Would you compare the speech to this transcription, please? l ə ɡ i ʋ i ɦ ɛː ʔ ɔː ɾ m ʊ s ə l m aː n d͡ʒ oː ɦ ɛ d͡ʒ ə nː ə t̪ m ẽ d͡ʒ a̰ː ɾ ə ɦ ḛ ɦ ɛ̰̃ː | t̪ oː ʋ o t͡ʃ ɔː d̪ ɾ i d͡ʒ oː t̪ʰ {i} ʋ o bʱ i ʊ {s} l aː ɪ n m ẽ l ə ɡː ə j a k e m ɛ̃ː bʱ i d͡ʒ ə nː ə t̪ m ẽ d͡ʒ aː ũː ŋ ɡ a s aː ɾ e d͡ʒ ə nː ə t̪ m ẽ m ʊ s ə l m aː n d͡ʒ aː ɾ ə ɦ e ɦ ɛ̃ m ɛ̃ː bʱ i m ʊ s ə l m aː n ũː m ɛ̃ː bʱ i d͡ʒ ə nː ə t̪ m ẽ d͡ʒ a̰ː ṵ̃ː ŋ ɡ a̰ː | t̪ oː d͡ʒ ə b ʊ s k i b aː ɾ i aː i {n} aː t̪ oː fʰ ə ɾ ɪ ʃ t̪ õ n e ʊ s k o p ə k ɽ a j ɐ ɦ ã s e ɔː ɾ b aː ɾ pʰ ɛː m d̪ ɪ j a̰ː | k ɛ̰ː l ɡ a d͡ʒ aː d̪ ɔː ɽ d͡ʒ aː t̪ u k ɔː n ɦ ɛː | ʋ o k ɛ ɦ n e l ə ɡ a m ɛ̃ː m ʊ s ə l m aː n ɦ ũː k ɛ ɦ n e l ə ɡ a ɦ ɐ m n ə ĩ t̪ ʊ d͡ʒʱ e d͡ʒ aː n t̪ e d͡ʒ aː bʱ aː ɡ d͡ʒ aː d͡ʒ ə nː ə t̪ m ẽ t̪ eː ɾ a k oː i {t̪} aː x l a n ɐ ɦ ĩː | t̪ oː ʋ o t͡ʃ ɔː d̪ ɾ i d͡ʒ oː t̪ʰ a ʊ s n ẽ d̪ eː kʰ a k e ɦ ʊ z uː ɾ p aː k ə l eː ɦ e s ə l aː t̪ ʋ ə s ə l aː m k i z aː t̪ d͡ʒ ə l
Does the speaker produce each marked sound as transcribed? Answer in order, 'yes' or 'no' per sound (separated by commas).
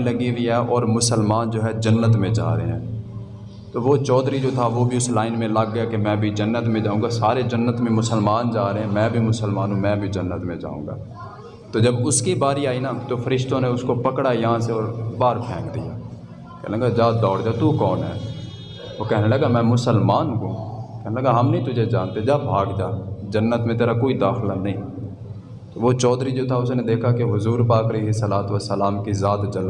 no, yes, yes, no